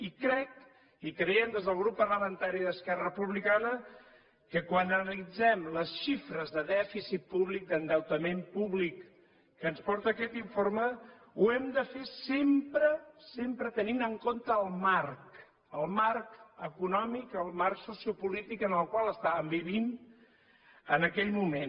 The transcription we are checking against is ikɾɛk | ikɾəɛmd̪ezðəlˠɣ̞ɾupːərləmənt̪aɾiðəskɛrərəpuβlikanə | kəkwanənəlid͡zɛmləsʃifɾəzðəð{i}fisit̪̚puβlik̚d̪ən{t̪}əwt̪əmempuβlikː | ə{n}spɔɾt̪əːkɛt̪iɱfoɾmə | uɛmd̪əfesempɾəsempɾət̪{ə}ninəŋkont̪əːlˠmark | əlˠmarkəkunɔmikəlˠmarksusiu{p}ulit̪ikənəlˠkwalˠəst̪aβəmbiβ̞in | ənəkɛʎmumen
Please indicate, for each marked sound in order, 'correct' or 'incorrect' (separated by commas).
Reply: incorrect, incorrect, correct, correct, correct